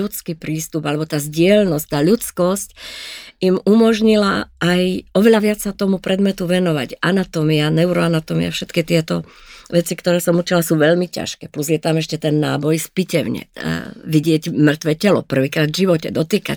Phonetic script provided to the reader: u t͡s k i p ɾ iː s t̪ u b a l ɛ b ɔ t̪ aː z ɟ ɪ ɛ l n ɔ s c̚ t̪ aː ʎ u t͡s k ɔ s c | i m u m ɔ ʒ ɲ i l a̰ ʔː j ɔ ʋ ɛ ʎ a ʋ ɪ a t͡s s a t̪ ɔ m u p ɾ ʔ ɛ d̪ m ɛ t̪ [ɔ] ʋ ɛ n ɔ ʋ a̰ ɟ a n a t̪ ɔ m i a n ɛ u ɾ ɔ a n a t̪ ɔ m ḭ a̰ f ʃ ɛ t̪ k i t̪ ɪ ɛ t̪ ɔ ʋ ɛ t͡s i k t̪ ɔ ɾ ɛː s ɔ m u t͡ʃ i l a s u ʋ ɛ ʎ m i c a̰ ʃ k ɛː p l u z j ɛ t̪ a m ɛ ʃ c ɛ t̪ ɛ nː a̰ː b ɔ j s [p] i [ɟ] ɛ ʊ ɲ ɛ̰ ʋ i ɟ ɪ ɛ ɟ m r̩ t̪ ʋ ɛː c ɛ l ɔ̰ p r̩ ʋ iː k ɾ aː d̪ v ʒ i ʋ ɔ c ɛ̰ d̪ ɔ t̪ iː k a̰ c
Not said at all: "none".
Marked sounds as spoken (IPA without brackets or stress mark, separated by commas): u, p, c